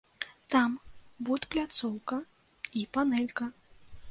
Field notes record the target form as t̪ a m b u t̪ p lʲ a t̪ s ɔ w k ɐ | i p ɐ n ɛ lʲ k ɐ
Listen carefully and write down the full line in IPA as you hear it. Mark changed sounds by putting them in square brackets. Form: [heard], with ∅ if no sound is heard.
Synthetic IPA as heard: t̪ a m b u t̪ p lʲ a t̪ s ɔ w k ɐ | i p [a] n ɛ lʲ k ɐ